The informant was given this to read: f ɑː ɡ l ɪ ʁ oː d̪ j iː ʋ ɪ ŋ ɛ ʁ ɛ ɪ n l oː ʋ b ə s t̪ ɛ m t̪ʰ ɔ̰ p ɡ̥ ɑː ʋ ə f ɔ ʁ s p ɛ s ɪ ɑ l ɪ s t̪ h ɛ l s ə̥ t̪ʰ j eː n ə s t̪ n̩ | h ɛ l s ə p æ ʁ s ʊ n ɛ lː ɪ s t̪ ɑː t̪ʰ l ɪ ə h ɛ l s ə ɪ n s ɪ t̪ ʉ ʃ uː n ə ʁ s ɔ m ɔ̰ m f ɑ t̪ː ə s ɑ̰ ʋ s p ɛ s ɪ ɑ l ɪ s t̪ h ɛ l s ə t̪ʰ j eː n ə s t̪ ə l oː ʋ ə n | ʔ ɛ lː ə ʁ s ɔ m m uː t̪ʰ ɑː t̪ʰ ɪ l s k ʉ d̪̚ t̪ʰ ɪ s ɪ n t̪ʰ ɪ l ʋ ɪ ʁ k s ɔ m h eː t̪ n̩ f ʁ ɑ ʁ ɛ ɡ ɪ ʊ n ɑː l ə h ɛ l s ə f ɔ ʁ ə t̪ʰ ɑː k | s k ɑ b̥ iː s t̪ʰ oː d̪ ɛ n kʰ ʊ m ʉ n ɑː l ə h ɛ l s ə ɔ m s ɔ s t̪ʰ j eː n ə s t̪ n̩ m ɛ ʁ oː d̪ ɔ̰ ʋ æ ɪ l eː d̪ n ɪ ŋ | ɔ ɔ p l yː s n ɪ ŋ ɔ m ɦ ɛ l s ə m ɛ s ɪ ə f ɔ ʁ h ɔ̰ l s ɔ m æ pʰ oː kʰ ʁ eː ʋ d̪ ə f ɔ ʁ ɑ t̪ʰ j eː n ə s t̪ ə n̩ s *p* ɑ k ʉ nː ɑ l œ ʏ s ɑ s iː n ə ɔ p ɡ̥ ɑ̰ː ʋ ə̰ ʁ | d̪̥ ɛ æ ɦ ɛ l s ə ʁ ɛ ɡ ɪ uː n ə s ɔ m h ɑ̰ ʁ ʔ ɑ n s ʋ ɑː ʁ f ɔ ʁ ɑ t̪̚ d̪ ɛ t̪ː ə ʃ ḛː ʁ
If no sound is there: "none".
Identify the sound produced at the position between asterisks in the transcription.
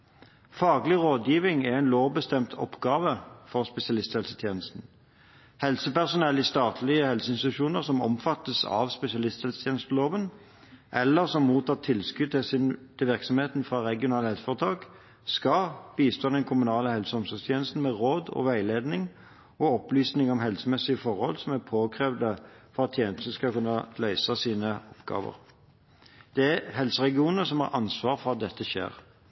k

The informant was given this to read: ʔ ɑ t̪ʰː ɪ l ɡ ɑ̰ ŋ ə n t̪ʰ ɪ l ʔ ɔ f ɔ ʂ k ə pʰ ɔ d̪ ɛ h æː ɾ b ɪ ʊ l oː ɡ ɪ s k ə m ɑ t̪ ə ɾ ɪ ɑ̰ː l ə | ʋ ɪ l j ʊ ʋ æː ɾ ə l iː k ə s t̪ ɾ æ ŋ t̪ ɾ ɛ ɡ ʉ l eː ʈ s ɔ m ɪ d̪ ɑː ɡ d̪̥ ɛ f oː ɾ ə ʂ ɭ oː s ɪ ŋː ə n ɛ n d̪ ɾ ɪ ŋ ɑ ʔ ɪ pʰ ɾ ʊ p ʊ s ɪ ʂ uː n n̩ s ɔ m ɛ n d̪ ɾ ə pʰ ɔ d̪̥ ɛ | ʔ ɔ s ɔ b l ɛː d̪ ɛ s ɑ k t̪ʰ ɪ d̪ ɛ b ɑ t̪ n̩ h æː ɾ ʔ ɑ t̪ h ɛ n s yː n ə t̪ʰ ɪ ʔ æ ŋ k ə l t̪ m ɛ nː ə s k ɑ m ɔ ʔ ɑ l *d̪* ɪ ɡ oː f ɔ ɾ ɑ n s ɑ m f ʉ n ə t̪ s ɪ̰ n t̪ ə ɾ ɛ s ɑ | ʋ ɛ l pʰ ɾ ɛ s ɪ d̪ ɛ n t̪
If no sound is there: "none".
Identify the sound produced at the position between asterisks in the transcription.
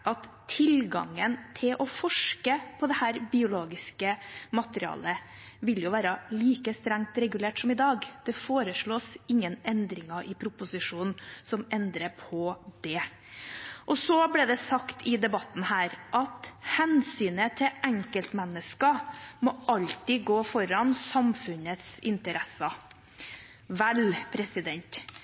t̪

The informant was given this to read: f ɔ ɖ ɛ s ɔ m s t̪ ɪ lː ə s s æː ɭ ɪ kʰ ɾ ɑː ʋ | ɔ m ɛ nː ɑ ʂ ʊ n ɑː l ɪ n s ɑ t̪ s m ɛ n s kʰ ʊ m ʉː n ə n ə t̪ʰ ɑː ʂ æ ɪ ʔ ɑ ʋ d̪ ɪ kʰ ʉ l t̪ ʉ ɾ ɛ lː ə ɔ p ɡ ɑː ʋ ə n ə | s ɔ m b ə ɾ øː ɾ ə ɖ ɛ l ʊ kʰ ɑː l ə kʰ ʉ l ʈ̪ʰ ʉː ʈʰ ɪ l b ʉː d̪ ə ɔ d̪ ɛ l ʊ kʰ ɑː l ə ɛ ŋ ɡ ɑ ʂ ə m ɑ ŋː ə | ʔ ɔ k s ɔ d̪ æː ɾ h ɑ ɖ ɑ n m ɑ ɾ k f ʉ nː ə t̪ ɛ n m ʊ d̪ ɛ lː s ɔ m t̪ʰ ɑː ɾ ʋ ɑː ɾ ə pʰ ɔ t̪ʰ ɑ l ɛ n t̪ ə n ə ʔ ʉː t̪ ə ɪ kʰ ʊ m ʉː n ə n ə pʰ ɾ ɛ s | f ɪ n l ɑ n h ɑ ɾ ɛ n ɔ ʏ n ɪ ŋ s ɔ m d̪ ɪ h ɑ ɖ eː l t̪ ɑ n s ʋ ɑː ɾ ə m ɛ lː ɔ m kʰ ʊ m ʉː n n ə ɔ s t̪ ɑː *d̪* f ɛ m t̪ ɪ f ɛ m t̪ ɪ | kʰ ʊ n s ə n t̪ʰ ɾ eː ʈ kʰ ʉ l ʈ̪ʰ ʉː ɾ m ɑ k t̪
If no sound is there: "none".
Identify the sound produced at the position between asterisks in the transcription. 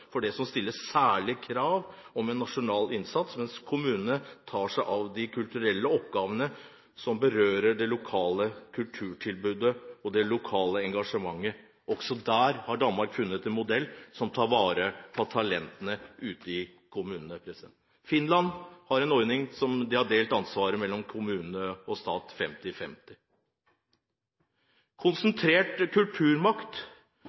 t̪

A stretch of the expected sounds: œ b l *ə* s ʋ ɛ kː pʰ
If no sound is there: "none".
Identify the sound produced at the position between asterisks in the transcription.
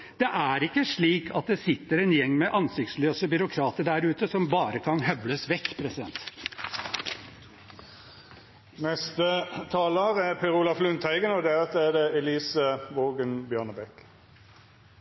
ə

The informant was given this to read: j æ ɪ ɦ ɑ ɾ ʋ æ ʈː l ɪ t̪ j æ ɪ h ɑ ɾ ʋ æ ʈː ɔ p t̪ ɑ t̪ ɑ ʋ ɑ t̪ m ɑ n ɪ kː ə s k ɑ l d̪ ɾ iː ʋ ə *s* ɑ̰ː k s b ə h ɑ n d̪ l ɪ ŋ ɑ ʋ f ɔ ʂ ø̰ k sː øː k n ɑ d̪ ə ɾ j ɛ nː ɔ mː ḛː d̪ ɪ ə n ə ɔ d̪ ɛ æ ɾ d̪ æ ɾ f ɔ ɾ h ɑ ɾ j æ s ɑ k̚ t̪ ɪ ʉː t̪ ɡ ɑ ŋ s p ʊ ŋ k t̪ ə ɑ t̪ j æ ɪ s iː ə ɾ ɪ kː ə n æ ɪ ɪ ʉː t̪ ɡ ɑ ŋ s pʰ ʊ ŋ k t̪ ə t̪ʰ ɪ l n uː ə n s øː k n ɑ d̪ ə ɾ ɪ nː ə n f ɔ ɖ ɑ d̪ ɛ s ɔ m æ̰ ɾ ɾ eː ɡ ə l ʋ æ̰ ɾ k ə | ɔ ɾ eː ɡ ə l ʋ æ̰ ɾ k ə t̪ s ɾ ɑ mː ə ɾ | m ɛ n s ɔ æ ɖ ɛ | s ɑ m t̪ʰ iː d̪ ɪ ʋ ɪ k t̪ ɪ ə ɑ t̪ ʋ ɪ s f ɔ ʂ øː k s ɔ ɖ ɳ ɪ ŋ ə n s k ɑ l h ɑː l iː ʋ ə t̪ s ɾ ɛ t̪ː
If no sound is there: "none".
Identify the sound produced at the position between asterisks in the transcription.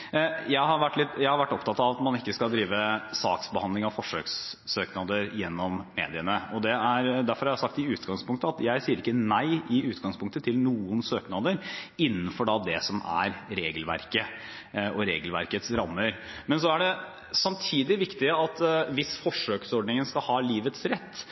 s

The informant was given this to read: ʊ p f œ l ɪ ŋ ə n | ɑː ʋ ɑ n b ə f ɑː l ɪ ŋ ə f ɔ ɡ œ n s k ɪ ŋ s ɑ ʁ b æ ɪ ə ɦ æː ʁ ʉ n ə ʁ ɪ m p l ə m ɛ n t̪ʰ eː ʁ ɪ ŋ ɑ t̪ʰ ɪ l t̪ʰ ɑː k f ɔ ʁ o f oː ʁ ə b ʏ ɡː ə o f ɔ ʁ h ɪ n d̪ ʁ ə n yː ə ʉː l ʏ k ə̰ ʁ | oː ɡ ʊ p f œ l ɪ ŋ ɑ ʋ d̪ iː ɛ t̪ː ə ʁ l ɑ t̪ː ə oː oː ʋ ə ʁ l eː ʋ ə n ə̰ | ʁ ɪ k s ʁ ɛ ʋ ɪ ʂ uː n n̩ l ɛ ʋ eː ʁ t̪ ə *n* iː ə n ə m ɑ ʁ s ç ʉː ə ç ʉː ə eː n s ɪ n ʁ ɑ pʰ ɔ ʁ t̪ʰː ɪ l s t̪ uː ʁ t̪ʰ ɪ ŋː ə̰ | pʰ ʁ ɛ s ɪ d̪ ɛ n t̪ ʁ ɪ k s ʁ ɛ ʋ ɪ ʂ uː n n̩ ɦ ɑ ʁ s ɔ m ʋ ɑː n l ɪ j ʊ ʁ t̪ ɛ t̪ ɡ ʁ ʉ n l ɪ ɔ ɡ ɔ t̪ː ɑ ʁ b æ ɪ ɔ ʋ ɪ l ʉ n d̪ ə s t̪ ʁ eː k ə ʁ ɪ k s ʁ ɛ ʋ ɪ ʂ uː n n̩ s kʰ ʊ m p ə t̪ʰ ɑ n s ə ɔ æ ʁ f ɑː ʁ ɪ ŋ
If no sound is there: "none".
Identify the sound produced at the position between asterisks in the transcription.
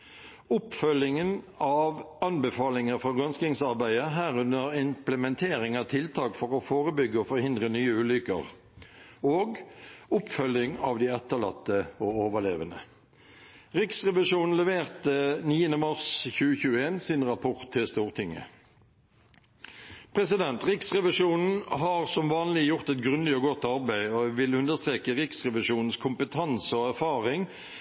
n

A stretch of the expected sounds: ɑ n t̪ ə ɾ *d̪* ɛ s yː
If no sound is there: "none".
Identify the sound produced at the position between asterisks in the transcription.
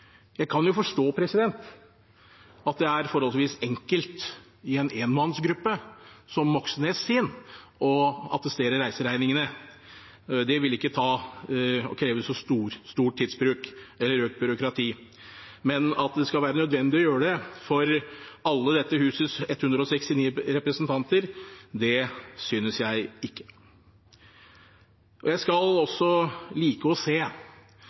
d̪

